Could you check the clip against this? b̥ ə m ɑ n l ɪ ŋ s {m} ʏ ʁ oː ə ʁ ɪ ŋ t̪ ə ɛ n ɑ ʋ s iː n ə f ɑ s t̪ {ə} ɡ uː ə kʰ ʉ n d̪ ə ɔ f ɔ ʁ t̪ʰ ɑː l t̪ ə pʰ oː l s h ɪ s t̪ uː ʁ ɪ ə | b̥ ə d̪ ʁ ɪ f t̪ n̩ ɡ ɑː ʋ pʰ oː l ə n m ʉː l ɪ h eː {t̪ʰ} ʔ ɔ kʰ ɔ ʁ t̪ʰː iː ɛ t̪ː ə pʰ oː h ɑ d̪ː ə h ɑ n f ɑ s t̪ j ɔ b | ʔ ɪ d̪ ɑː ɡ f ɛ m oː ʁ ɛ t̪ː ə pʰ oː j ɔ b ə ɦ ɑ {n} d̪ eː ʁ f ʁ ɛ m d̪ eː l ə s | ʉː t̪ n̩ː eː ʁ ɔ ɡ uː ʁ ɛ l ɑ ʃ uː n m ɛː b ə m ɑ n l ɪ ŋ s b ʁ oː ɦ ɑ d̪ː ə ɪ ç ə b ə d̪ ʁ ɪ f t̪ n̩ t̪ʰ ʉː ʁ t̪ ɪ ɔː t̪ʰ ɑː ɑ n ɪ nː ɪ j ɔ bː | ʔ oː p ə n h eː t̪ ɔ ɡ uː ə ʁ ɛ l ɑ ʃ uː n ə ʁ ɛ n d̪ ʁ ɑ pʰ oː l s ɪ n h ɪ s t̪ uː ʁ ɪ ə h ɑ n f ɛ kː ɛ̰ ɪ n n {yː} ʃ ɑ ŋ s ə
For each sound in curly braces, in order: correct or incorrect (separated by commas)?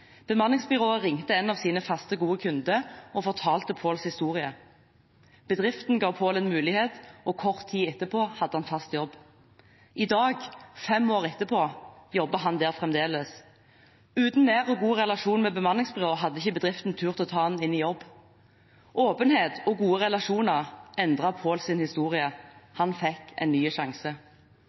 incorrect, correct, incorrect, correct, correct